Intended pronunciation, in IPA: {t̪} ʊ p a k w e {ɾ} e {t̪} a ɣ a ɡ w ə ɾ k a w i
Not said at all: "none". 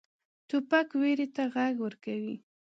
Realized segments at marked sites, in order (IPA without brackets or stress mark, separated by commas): t̪, ɾ, t̪